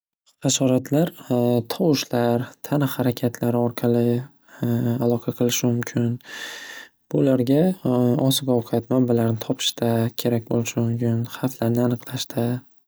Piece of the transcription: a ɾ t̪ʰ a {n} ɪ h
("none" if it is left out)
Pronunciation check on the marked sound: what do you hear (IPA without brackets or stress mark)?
n